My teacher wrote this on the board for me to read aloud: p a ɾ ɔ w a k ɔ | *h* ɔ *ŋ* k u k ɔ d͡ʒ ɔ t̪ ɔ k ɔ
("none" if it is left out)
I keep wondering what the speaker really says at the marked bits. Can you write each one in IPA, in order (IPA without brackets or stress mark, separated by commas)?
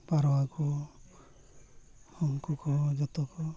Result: h, ŋ